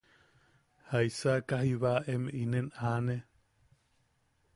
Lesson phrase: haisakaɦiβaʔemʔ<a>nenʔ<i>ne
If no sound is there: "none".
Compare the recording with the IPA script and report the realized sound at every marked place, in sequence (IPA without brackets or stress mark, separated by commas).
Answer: i, a